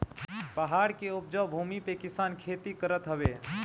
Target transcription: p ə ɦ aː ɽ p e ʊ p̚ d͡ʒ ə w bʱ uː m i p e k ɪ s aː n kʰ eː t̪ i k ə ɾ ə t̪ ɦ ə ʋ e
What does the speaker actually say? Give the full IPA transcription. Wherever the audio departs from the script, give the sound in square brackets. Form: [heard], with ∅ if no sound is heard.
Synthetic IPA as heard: p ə ɦ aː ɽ [k] e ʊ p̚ d͡ʒ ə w bʱ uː m i p e k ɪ s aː n kʰ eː t̪ i k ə ɾ ə t̪ ɦ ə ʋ e